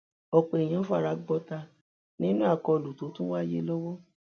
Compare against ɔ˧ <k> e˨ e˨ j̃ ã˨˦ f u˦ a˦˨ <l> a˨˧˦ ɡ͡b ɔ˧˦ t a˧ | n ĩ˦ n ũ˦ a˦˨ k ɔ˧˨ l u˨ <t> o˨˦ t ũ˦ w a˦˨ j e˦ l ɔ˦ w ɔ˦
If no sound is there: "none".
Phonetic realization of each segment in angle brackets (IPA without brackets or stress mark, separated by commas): k͡p, ɾ, t